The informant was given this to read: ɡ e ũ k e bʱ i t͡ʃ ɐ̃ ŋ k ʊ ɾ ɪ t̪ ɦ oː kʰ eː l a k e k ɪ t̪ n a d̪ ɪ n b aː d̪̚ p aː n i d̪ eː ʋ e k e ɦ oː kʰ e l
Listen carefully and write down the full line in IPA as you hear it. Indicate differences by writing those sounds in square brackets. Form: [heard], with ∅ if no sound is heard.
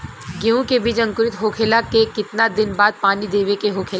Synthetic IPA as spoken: ɡ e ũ k e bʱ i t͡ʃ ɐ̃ ŋ k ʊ ɾ ɪ t̪ ɦ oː kʰ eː l a k e k ɪ t̪ n a d̪ ɪ n b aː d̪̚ p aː n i d̪ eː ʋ e k e ɦ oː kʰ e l